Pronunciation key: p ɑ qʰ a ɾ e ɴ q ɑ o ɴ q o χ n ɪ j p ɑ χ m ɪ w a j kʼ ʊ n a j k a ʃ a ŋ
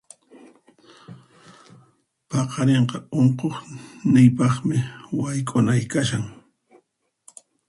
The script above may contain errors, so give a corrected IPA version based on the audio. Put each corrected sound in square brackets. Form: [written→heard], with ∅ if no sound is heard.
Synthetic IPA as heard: p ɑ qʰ [a→ɑ] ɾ e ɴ q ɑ o ɴ q o χ n ɪ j p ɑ χ m ɪ w a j kʼ ʊ n a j k a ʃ a ŋ